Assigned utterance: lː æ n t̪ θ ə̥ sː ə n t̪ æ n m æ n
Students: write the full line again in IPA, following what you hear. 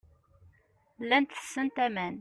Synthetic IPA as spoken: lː æ n t̪ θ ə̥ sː ə n t̪ æ m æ n